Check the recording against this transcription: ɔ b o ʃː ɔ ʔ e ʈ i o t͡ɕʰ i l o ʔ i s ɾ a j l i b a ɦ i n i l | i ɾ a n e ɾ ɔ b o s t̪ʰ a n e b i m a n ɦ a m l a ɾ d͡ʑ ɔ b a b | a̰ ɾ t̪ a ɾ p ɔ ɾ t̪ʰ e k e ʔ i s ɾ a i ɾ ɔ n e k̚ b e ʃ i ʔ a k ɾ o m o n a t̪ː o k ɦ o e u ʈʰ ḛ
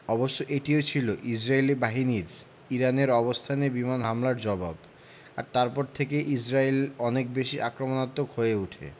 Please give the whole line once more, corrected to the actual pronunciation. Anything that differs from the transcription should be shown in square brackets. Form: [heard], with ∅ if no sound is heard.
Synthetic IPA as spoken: ɔ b o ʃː [o] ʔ e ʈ i o t͡ɕʰ i l o ʔ i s ɾ a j l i b a ɦ i n i [ɾ] | i ɾ a n e ɾ ɔ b o s t̪ʰ a n e b i m a n ɦ a m l a ɾ d͡ʑ ɔ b a b | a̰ ɾ t̪ a ɾ p ɔ ɾ t̪ʰ e k e ʔ i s ɾ a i [l] ɔ n e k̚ b e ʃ i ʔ a k ɾ o m o n a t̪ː o k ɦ o e u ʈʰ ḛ

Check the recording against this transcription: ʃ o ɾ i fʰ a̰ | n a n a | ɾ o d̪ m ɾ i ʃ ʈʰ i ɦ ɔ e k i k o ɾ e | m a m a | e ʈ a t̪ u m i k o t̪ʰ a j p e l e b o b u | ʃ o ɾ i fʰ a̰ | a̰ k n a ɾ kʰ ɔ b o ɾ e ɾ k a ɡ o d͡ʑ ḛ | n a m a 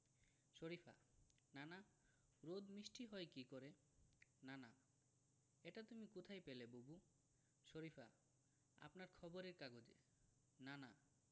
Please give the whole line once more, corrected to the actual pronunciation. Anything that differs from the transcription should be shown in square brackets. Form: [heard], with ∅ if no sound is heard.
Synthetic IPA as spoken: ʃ o ɾ i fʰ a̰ | n a n a | ɾ o d̪ m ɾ i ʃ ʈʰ i ɦ ɔ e k i k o ɾ e | [n] a [n] a | e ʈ a t̪ u m i k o t̪ʰ a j p e l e b o b u | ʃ o ɾ i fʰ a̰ | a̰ [p] n a ɾ kʰ ɔ b o ɾ e ɾ k a ɡ o d͡ʑ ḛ | n a [n] a

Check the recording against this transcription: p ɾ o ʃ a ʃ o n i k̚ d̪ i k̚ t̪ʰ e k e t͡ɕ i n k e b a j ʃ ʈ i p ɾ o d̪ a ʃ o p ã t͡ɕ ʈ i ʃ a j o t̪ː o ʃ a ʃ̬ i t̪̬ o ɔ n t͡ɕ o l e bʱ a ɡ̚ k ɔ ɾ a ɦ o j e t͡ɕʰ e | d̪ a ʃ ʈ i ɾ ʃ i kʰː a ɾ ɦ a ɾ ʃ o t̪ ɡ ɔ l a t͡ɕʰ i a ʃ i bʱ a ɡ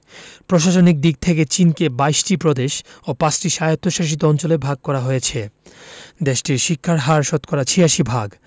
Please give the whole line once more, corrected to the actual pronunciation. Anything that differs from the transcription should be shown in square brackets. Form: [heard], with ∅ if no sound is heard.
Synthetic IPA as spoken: p ɾ o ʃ a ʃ o n i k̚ d̪ i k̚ t̪ʰ e k e t͡ɕ i n k e b a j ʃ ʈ i p ɾ o d̪ [e] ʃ o p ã t͡ɕ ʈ i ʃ a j o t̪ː o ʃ a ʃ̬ i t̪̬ o ɔ n t͡ɕ o l e bʱ a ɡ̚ k ɔ ɾ a ɦ o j e t͡ɕʰ e | d̪ [e] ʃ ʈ i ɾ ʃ i kʰː a ɾ ɦ a ɾ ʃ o t̪ [k] ɔ [ɾ] a t͡ɕʰ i a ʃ i bʱ a ɡ

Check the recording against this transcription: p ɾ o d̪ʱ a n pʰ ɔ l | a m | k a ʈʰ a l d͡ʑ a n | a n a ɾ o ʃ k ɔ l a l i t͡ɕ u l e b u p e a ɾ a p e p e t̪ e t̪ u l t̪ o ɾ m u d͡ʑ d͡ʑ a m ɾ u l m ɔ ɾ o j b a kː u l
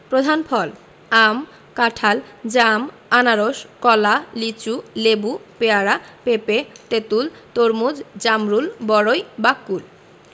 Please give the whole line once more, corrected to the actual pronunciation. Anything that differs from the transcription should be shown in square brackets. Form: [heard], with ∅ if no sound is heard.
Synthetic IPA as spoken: p ɾ o d̪ʱ a n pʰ ɔ l | a m | k a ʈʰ a l d͡ʑ a [m] | a n a ɾ o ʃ k ɔ l a l i t͡ɕ u l e b u p e a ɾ a p e p e t̪ e t̪ u l t̪ o ɾ m u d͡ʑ d͡ʑ a m ɾ u l [b] ɔ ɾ o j b a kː u l

